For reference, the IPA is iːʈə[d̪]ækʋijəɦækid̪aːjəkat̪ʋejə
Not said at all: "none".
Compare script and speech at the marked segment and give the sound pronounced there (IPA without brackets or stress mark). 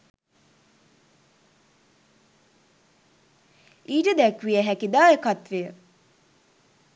d̪